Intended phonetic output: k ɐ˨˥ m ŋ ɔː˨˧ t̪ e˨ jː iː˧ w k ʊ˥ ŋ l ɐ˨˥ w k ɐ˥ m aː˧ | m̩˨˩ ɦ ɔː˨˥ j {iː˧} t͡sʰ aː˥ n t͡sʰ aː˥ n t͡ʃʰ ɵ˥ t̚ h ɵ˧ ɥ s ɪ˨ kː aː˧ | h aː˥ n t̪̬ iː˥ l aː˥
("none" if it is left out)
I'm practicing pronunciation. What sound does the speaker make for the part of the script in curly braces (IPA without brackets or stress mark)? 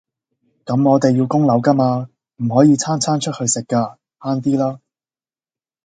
iː˧